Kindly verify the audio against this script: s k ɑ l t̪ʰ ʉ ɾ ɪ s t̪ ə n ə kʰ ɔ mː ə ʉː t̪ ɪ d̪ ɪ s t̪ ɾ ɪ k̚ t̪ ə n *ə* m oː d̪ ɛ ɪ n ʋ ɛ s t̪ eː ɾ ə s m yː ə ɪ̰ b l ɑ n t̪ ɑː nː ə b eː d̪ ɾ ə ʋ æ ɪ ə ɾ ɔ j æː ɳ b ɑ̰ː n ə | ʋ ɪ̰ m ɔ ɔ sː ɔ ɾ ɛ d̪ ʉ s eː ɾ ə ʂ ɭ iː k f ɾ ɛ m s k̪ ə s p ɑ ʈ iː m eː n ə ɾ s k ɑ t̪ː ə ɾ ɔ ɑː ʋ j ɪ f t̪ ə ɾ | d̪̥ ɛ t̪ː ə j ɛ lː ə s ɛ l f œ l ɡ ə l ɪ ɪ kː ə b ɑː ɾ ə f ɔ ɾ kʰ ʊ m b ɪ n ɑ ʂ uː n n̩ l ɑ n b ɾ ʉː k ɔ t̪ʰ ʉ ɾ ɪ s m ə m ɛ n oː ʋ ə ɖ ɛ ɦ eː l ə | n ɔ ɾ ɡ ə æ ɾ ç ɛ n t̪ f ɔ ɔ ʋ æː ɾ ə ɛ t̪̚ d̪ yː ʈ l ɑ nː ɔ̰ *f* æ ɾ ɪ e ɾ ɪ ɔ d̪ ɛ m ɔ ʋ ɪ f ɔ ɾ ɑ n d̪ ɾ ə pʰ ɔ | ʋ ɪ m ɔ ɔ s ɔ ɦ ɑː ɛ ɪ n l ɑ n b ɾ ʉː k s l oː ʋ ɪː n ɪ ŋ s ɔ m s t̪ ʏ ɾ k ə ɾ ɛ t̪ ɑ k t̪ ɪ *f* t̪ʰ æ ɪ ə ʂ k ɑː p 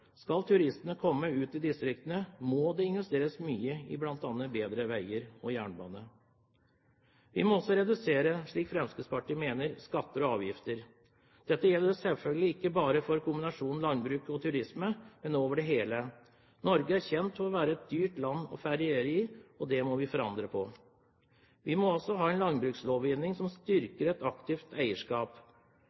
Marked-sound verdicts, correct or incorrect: correct, correct, correct

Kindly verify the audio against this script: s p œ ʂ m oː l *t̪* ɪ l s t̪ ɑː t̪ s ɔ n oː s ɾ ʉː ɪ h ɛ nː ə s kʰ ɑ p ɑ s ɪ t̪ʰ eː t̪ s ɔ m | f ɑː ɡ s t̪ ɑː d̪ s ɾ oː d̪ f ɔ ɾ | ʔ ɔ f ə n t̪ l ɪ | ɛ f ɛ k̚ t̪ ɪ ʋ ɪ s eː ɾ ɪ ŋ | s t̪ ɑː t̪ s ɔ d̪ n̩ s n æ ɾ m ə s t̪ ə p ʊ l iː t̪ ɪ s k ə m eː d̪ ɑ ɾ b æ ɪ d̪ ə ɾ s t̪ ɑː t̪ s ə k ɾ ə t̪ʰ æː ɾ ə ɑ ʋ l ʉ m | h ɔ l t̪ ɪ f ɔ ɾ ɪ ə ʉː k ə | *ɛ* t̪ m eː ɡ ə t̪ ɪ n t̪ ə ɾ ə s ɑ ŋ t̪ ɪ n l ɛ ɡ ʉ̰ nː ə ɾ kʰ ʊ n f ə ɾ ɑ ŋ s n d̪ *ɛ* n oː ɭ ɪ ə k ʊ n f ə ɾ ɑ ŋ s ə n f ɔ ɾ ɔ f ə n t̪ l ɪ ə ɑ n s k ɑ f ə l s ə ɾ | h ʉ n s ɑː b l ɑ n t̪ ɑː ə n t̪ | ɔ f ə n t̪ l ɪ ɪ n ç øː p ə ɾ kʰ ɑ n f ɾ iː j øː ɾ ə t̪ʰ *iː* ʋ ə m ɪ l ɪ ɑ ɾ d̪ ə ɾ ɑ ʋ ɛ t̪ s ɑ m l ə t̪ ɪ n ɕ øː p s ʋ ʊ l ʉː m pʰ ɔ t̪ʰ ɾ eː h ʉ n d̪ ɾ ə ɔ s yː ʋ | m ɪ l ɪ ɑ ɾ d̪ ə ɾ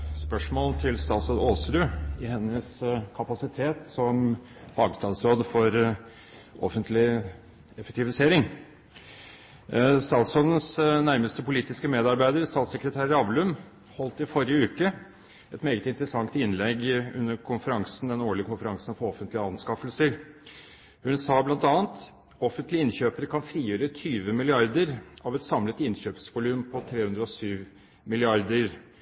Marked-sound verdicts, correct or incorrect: incorrect, correct, correct, incorrect

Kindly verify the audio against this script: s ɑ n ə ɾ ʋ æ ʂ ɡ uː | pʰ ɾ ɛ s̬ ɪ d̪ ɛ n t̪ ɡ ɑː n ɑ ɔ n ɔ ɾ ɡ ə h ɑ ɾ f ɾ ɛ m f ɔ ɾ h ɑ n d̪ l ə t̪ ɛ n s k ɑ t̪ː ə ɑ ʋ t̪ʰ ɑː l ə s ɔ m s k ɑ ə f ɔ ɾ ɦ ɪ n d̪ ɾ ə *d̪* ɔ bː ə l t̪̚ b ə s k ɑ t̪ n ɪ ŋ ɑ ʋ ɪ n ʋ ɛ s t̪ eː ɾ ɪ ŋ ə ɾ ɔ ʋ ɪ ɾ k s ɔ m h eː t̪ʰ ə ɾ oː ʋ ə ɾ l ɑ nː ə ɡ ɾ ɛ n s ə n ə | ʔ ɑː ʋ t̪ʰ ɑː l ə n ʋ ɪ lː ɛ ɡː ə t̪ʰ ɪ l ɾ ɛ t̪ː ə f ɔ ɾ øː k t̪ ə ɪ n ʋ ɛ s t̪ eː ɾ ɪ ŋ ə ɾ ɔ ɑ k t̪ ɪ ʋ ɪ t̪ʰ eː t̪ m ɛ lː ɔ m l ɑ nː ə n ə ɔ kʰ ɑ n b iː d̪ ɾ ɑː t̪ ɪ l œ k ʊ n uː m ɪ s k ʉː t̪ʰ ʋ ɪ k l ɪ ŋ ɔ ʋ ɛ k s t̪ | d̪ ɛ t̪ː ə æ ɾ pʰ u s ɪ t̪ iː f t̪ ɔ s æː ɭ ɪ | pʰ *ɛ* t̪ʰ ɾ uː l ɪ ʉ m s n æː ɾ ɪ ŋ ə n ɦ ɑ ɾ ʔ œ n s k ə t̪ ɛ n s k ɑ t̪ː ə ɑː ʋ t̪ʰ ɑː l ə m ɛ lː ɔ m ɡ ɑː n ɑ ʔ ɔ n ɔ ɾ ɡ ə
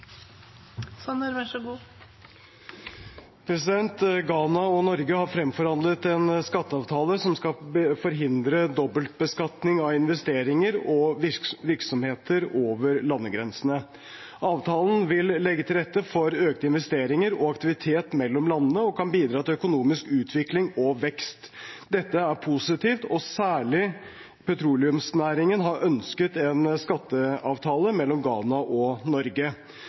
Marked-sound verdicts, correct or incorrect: correct, correct

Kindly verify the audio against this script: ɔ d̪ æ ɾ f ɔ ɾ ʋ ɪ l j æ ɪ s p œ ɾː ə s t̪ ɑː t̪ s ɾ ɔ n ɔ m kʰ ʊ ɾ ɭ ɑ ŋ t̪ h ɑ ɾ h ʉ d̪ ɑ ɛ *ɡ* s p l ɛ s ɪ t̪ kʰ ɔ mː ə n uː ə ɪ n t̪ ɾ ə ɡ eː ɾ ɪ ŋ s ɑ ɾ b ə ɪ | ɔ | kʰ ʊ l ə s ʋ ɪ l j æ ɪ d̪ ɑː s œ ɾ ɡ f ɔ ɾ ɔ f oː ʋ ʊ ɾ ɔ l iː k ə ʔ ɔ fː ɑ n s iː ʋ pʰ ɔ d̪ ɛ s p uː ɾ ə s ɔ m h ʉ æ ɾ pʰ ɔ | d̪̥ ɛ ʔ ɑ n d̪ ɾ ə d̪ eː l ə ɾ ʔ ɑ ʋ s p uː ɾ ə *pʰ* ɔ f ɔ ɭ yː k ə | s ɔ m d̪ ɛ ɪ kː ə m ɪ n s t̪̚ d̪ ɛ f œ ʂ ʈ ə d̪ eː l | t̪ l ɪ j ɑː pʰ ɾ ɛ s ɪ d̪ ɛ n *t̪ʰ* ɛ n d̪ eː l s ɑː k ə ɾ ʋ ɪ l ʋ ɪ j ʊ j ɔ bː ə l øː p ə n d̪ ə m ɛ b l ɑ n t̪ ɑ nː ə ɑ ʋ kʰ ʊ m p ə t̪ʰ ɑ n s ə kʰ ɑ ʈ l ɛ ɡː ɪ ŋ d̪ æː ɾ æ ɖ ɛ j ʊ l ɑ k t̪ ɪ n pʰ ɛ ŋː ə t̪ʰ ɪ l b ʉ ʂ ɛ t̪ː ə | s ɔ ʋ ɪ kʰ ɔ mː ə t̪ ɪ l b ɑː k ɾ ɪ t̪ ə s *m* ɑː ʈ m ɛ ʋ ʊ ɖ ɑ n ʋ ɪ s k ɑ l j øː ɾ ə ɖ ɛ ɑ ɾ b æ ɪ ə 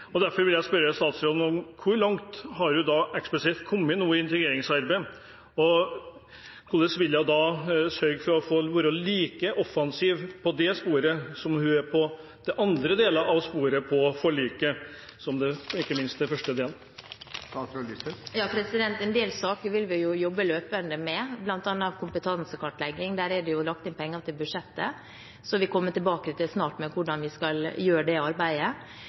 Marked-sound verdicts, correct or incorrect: incorrect, correct, incorrect, incorrect

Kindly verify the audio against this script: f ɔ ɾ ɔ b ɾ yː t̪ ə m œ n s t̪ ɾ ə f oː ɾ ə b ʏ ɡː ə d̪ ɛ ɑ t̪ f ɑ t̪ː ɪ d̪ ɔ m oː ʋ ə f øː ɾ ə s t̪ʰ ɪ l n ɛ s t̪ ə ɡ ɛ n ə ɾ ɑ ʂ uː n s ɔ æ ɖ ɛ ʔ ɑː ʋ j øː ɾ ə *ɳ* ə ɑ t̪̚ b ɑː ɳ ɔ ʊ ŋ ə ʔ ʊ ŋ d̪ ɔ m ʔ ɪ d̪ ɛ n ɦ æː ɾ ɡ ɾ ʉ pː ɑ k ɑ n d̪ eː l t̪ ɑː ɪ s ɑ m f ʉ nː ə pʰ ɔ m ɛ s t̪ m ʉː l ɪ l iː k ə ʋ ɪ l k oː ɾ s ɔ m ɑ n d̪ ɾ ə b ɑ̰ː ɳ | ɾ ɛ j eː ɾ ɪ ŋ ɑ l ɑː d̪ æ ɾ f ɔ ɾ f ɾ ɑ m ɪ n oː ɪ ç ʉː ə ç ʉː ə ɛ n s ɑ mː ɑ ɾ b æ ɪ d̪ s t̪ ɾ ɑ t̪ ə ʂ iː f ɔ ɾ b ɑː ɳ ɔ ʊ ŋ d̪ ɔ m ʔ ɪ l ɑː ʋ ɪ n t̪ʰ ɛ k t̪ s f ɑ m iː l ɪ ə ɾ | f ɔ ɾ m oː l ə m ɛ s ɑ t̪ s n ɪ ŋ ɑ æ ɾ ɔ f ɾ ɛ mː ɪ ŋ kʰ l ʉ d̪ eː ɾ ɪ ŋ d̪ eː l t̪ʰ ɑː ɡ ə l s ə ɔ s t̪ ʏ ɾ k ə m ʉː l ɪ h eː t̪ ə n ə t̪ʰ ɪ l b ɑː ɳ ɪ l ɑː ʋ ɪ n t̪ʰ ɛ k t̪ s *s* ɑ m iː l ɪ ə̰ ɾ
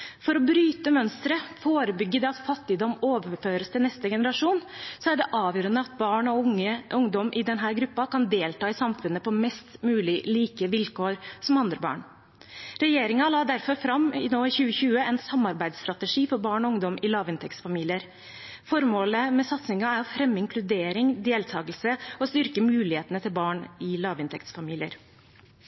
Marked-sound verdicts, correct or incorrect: incorrect, incorrect

